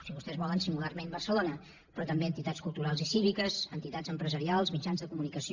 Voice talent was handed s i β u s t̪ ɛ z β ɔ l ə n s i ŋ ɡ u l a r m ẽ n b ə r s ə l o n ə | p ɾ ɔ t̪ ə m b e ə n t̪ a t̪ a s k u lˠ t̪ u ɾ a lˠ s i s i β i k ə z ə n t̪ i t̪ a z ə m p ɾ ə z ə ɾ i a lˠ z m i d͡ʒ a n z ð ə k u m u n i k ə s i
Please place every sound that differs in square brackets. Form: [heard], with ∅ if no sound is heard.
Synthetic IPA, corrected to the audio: s i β u s t̪ ɛ z β ɔ l ə n s i ŋ ɡ u l a r m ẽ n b ə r s ə l o n ə | p ɾ ɔ t̪ ə m b e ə n t̪ [i] t̪ a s k u lˠ t̪ u ɾ a lˠ [z] i s i β i k ə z ə n t̪ i t̪ a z ə m p ɾ ə z ə ɾ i a lˠ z m i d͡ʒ a n z ð ə k u m u n i k ə s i